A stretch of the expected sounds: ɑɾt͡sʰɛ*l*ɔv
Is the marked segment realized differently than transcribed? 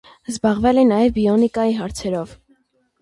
yes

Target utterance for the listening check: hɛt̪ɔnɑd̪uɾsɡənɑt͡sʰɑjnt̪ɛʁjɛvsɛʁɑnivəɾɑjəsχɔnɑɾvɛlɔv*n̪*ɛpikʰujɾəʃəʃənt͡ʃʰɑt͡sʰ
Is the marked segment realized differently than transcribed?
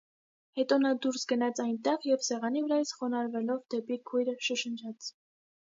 yes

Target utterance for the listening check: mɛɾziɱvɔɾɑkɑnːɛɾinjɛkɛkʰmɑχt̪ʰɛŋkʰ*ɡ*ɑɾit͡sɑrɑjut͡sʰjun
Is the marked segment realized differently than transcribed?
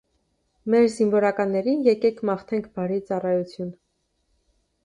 yes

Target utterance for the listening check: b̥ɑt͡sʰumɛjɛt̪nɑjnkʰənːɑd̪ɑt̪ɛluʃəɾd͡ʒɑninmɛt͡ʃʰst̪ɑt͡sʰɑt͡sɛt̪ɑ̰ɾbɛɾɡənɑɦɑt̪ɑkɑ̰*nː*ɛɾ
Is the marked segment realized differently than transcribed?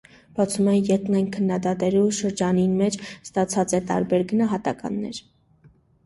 no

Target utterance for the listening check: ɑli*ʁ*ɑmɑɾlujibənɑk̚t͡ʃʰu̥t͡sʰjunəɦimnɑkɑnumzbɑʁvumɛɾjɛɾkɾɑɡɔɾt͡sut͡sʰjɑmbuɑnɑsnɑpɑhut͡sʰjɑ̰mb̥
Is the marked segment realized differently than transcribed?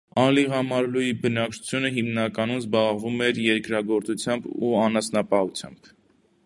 no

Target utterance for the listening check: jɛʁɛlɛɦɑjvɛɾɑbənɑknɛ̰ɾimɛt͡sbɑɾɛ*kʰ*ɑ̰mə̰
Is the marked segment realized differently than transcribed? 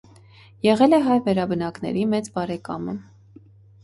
yes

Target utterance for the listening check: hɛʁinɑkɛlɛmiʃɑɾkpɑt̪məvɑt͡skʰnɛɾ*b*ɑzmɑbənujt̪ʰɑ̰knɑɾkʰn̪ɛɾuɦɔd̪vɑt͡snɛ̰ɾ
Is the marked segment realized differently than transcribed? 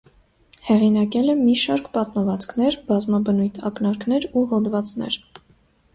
no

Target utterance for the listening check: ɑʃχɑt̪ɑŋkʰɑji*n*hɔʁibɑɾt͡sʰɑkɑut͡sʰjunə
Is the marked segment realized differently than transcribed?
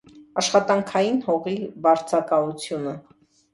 no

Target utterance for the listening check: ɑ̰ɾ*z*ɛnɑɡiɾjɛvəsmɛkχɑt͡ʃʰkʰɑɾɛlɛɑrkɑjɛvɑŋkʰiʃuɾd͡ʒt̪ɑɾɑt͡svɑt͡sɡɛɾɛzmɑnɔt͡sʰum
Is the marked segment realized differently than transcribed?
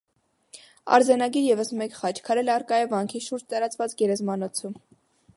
no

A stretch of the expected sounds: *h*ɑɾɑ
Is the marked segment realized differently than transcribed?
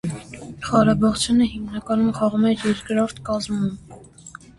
yes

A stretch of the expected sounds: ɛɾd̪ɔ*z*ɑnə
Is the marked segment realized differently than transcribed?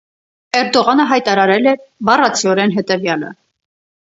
yes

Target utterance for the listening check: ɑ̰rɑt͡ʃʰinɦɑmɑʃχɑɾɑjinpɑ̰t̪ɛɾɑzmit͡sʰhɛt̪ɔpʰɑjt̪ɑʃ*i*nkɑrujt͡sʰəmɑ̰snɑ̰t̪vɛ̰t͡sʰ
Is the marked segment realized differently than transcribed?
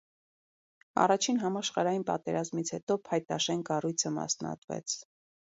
yes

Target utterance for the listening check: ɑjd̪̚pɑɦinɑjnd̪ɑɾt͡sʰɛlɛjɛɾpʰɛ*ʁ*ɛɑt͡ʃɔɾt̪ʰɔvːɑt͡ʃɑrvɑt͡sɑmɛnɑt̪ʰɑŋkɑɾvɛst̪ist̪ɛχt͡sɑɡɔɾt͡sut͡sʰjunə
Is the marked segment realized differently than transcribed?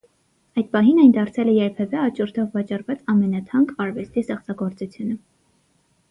yes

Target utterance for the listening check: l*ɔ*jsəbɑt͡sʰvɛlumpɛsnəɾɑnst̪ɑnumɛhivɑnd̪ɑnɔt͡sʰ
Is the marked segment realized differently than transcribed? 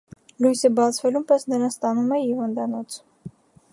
yes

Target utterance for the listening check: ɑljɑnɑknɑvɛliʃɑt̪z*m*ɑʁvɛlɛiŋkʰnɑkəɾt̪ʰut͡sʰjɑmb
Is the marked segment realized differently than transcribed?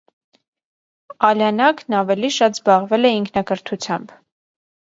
yes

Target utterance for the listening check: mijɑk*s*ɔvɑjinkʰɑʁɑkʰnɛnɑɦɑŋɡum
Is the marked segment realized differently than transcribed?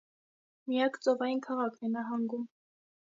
yes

